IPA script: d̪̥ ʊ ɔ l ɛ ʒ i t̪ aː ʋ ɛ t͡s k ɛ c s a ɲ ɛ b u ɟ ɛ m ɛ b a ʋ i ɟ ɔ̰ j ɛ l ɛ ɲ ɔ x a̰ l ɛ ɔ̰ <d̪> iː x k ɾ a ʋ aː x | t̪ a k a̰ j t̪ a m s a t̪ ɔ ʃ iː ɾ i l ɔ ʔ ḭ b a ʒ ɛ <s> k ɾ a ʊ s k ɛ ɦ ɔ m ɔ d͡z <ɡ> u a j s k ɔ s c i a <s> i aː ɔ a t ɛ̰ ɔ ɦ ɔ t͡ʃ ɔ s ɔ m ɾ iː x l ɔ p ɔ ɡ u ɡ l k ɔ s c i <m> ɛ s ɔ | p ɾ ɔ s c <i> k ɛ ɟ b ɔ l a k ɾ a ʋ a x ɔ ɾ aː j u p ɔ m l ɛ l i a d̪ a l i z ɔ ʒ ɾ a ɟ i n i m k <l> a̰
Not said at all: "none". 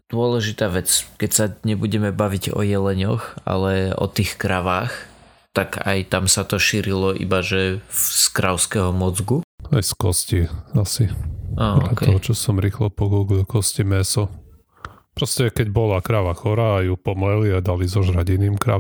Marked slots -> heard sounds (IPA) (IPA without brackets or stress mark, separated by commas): t̪, s, ɡ, s, m, ɛ, ɾ